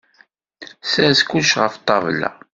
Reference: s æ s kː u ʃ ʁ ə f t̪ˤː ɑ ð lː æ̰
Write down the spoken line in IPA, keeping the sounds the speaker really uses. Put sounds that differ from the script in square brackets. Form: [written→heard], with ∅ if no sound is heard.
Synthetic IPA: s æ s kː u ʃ ʁ ə f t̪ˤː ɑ [ð→v] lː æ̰